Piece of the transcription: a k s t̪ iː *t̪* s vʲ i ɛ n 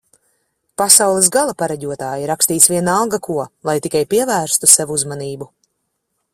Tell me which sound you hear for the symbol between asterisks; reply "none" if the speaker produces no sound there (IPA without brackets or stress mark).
t̪